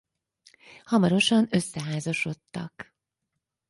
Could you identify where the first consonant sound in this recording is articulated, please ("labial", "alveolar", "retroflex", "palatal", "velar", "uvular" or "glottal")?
glottal